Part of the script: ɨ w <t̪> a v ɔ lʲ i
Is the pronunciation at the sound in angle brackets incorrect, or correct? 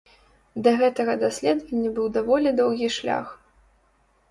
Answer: incorrect